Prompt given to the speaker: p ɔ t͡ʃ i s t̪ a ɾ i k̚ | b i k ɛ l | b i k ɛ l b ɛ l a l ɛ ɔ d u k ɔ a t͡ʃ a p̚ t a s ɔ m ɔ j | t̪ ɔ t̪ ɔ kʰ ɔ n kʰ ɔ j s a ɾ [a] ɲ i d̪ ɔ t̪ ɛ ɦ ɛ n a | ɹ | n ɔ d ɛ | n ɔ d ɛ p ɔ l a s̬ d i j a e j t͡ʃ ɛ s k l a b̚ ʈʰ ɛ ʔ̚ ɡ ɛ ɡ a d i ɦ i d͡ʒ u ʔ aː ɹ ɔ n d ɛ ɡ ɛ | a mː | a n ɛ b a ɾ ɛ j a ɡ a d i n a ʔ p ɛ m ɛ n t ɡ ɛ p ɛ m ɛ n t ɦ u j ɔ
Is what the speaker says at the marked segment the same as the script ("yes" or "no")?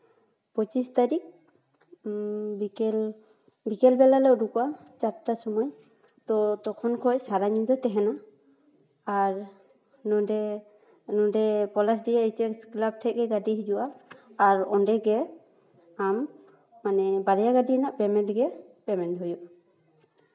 yes